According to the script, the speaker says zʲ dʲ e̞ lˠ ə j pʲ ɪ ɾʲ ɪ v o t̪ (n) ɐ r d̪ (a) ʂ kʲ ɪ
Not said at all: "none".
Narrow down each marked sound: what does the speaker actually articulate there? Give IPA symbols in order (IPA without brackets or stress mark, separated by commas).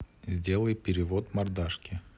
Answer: m, a